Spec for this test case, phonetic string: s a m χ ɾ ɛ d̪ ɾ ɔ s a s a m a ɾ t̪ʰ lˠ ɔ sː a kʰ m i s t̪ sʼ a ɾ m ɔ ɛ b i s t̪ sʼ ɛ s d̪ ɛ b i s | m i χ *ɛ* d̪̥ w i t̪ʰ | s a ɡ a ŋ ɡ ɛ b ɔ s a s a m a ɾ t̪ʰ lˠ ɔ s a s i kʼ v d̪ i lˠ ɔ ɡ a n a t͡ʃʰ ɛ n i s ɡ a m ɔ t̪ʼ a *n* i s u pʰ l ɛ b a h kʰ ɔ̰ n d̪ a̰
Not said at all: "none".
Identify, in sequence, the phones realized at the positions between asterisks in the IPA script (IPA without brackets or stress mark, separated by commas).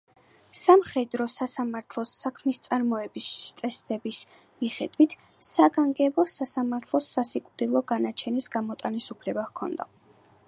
ɛ, n